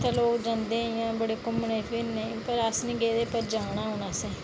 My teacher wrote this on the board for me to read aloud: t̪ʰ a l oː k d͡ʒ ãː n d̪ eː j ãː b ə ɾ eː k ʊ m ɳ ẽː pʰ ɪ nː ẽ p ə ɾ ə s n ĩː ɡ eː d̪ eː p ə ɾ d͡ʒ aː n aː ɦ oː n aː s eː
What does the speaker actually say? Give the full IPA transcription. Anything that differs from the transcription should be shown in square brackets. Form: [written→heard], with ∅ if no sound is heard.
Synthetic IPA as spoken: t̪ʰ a l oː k d͡ʒ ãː n d̪ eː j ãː b ə [ɾ→ɽ] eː k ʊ m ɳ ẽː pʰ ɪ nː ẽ p ə ɾ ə s n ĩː ɡ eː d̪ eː p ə ɾ d͡ʒ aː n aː ɦ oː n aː s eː